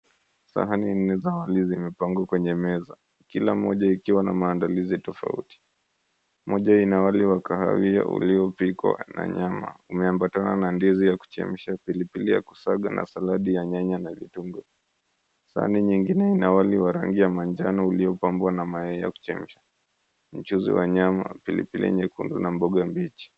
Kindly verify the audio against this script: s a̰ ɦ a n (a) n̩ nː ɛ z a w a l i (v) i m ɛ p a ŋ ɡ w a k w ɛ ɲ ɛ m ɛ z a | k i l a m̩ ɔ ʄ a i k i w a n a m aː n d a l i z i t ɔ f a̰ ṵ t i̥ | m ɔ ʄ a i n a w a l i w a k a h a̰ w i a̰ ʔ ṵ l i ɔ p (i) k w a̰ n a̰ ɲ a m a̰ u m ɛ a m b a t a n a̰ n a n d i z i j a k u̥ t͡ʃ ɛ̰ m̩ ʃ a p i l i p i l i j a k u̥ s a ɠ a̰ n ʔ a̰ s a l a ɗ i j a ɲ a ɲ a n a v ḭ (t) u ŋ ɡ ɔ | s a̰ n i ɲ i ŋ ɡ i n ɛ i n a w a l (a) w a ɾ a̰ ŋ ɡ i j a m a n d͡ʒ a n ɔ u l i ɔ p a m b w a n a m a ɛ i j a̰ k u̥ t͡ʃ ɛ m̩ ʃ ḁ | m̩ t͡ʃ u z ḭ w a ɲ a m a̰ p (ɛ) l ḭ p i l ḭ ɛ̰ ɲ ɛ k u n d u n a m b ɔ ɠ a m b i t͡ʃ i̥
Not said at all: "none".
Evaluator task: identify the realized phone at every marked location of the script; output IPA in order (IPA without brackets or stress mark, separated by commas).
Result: i, z, i, t, i, i